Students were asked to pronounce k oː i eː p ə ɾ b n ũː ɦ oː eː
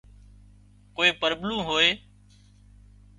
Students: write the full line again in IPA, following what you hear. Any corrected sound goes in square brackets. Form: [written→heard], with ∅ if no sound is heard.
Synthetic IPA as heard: k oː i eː p ə ɾ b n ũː ɦ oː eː